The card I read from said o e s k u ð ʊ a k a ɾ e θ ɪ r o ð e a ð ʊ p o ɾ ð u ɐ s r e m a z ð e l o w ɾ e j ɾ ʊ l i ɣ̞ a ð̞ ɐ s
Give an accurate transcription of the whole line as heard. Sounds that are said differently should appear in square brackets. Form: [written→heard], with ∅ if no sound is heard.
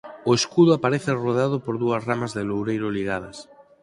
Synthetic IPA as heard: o e s k u ð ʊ a [k→p] a ɾ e θ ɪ r o ð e a ð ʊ p o ɾ ð u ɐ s r [e→a] m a z ð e l o w ɾ e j ɾ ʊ l i ɣ̞ a ð̞ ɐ s